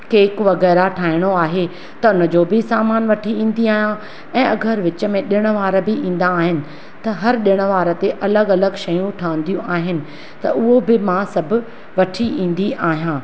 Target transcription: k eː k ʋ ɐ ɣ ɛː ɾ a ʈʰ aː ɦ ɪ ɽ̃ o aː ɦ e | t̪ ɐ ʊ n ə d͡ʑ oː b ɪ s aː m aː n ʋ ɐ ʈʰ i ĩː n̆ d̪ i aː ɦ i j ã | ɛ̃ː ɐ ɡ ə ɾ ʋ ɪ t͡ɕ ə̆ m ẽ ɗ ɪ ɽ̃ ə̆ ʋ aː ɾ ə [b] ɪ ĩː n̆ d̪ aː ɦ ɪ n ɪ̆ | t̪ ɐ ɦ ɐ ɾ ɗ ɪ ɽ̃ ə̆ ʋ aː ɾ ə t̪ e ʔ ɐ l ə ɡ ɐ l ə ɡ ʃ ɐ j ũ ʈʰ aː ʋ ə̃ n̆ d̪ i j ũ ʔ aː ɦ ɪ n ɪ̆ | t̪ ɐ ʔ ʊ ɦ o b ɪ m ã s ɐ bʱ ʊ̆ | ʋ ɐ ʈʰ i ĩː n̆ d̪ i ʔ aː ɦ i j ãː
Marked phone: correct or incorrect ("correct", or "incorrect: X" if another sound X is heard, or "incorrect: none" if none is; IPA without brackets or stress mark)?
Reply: correct